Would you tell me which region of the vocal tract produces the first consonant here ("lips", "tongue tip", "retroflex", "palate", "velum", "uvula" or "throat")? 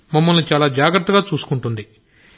lips